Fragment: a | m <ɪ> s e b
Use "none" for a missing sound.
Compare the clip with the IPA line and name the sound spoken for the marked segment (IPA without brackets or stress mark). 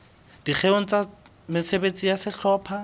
ɪ